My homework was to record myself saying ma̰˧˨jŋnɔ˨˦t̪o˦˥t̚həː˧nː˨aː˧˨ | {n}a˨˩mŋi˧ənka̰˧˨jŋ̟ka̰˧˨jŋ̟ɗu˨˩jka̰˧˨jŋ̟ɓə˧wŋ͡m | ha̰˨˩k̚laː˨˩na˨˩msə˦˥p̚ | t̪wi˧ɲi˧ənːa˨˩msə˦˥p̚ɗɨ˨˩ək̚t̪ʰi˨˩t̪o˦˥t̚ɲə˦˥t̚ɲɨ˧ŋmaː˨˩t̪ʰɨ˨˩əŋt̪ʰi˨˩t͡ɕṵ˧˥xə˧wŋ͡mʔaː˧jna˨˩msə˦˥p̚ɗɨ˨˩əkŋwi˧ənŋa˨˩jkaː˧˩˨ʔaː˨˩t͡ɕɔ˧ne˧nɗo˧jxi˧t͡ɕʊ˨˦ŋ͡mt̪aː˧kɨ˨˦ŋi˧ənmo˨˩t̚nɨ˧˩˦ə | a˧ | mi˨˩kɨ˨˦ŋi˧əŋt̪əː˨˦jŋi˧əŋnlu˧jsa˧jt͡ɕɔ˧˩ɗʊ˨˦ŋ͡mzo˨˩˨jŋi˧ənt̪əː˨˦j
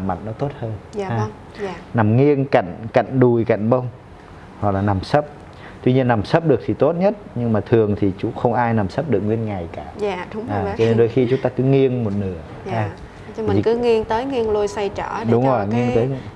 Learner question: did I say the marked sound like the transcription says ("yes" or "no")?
yes